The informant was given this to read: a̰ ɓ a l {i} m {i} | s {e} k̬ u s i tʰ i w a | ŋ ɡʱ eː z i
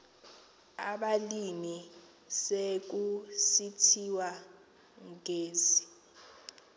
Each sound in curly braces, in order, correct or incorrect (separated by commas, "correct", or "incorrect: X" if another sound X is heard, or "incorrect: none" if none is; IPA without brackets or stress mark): correct, correct, correct